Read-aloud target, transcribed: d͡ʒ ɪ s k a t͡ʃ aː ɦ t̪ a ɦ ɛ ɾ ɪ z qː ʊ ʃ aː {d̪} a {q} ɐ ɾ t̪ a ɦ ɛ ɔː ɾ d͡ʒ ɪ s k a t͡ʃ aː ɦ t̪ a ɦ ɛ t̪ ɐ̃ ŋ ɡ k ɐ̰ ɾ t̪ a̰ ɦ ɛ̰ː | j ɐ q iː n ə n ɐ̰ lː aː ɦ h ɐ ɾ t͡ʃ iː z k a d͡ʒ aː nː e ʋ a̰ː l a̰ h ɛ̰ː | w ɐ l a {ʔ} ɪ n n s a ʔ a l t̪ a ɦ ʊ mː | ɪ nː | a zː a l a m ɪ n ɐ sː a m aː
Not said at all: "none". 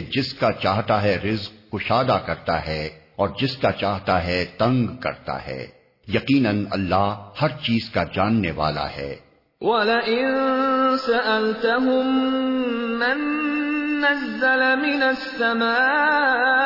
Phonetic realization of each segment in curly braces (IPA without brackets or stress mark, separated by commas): d̪, k, ʔ